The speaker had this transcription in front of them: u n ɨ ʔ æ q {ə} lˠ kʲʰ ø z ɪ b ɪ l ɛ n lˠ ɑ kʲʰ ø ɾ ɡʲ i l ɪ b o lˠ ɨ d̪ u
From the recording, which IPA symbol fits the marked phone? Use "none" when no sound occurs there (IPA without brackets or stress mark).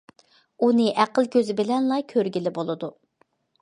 ə